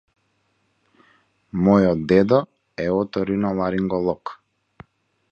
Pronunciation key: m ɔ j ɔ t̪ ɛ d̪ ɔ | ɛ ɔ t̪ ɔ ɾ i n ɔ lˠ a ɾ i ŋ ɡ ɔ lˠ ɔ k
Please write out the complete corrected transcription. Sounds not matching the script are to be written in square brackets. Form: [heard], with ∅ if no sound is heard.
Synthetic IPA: m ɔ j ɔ [d̪] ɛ d̪ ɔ | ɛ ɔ t̪ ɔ ɾ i n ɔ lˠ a ɾ i ŋ ɡ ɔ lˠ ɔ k